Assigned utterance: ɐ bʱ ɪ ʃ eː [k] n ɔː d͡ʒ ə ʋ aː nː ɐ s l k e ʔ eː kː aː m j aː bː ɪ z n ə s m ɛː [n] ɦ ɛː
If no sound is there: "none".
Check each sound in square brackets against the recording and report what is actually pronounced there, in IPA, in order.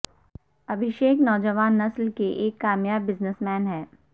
k, n

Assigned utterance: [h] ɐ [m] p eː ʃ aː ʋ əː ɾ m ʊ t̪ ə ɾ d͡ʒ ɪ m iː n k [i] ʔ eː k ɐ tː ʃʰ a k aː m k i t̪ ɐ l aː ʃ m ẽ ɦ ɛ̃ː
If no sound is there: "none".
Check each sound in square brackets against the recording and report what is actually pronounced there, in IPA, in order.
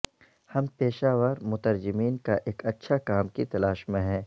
h, m, a

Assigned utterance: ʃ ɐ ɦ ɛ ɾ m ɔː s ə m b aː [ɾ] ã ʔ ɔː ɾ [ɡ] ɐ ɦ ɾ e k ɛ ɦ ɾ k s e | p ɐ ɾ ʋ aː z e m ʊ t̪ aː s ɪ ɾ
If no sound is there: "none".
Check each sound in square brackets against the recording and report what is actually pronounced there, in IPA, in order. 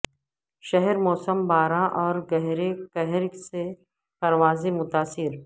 ɾ, ɡ

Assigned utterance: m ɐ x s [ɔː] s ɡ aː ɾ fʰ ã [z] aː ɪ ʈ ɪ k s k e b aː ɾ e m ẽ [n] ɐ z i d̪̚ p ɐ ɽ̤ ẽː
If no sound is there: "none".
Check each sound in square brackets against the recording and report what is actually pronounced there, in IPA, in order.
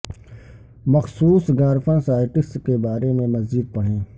uː, s, m

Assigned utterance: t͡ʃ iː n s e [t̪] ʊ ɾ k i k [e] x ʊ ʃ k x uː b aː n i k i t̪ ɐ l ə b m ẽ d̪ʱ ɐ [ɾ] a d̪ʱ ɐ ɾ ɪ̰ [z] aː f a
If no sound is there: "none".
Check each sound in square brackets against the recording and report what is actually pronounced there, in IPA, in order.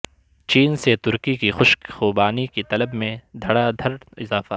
t̪, i, ɽ, z

